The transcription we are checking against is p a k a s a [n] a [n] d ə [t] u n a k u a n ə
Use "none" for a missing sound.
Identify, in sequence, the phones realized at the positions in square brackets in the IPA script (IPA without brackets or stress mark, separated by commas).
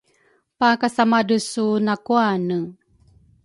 m, none, s